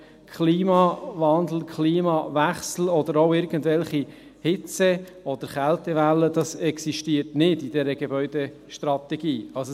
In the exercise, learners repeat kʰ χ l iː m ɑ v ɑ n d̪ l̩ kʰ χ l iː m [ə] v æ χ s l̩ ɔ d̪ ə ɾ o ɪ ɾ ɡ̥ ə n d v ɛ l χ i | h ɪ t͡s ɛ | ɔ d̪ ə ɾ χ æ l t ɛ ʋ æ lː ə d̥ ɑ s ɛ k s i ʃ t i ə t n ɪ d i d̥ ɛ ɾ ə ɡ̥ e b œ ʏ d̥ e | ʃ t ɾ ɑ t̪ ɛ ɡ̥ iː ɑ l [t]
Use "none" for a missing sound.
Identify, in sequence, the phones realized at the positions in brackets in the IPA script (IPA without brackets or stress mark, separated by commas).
ɑ, s